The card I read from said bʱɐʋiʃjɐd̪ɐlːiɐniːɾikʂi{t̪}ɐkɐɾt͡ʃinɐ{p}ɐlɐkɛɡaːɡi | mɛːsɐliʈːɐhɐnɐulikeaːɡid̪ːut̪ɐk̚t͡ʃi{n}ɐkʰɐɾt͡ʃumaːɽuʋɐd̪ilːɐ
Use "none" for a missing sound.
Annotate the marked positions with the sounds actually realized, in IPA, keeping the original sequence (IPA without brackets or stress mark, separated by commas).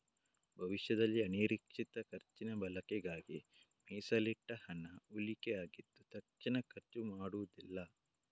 t̪, b, n